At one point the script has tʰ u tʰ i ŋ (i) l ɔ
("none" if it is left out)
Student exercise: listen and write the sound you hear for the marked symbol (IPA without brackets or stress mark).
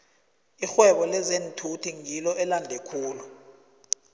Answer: i